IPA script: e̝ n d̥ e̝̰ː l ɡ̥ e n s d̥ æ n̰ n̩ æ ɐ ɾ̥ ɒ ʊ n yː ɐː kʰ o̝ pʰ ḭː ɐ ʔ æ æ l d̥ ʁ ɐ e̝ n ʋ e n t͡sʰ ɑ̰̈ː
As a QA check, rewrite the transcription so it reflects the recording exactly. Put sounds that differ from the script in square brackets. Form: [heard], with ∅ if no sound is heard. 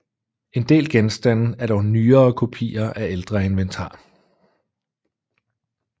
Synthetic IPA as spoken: e̝ n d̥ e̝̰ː l ɡ̥ e n s d̥ æ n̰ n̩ æ ɐ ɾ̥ ɒ ʊ n yː ɐː kʰ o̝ pʰ ḭː ɐ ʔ æ [e] l d̥ ʁ ɐ e̝ n ʋ e n t͡sʰ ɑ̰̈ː